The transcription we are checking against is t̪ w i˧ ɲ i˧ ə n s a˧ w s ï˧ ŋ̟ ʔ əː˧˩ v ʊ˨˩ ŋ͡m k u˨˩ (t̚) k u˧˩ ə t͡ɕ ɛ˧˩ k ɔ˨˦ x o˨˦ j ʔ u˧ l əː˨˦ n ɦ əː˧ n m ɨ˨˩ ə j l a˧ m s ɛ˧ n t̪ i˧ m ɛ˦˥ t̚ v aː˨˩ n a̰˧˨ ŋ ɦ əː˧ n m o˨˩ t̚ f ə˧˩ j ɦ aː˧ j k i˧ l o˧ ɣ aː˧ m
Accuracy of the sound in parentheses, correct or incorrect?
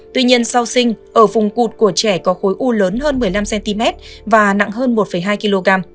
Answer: correct